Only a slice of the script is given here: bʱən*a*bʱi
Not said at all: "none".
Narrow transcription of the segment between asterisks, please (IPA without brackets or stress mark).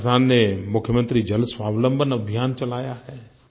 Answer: ɐ